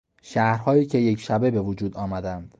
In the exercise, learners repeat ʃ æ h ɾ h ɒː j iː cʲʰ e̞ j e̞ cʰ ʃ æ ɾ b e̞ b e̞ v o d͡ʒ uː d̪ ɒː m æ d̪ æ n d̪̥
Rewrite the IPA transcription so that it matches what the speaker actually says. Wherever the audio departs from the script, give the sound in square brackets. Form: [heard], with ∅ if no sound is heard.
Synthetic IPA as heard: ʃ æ h ɾ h ɒː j iː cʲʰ e̞ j e̞ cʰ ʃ æ [∅] b e̞ b e̞ v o d͡ʒ uː d̪ ɒː m æ d̪ æ n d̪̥